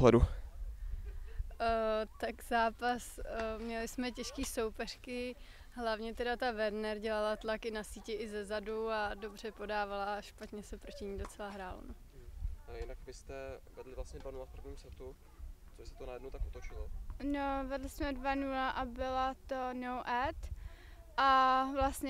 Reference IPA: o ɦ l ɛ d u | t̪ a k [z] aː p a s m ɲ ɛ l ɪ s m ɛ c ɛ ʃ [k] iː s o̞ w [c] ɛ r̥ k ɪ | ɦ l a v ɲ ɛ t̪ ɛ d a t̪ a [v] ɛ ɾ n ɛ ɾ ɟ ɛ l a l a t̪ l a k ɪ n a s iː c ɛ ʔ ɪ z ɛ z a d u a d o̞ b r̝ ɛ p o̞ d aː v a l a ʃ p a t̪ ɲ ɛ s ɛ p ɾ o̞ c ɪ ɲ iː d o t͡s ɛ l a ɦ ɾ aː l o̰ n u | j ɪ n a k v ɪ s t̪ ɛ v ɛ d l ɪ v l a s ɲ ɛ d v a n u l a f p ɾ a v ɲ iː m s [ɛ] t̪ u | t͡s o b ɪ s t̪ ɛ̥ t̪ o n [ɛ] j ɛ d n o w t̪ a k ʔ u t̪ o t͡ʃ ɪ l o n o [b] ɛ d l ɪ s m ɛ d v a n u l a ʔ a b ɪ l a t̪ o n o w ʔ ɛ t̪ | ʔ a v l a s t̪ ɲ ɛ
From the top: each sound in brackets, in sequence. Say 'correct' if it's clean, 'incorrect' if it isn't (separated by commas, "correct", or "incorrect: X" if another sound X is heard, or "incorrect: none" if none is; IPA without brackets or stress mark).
correct, correct, incorrect: p, correct, correct, incorrect: a, incorrect: v